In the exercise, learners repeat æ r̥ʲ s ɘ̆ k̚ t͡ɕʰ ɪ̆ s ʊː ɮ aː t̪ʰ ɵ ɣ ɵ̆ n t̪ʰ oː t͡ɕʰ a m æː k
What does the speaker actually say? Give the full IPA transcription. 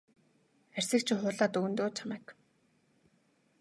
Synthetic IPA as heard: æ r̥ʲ s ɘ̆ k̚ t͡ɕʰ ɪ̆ χ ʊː ɮ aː t̪ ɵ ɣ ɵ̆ n t̪ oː t͡ɕʰ a m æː k